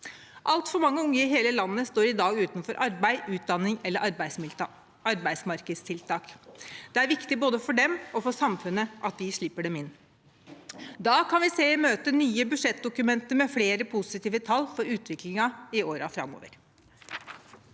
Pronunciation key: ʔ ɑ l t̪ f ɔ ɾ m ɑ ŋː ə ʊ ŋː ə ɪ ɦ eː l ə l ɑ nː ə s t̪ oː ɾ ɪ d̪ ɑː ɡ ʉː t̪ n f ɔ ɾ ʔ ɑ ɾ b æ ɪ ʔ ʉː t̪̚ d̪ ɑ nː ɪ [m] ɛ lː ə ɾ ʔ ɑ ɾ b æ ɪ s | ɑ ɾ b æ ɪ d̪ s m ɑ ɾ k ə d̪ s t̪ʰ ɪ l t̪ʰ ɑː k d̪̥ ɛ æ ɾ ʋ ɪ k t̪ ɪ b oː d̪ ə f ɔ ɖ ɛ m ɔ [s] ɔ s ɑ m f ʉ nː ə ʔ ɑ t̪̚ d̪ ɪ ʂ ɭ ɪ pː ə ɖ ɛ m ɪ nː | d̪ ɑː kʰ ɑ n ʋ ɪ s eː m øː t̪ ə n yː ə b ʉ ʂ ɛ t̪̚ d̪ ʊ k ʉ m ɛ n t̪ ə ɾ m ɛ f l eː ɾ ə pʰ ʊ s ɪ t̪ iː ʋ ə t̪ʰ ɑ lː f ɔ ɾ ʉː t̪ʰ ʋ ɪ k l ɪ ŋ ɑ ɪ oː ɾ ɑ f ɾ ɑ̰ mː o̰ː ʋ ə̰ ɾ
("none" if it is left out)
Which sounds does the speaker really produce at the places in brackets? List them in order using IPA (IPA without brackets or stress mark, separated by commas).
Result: ŋ, f